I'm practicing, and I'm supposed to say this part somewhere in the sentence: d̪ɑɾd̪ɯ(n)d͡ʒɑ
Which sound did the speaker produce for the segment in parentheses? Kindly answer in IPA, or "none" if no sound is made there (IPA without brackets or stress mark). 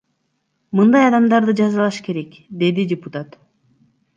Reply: none